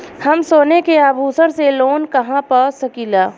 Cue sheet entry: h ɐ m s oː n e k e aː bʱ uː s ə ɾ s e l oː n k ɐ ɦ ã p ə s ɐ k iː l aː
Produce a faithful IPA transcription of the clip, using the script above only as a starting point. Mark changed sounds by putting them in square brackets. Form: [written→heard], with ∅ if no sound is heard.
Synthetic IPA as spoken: h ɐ m s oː n e k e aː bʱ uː s ə ɾ s e l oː n k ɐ ɦ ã p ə s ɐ k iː l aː